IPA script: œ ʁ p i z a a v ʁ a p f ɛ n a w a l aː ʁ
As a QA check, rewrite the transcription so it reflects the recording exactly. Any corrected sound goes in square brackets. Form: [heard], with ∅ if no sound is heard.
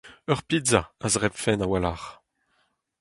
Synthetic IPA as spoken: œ ʁ p i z a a [z] ʁ [ɛ] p f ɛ n a w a l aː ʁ